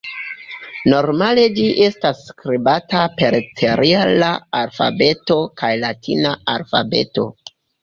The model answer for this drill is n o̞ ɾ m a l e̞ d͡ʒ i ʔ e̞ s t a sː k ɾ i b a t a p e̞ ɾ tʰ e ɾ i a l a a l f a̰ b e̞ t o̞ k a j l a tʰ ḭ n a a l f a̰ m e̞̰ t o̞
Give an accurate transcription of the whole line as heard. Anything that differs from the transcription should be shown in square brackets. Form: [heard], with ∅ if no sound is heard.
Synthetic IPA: n o̞ ɾ m a l e̞ d͡ʒ i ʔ e̞ s t a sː k ɾ i b a t a p e̞ ɾ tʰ e ɾ i a l a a l f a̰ b e̞ t o̞ k a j l a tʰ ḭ n a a l f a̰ [b] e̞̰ t o̞